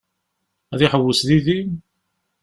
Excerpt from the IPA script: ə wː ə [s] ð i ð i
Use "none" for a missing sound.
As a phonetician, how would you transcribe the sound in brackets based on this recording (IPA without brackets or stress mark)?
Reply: s